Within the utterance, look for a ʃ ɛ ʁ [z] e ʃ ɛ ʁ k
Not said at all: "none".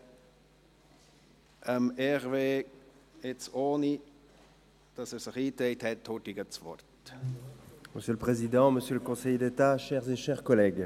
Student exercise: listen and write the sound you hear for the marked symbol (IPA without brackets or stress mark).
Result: z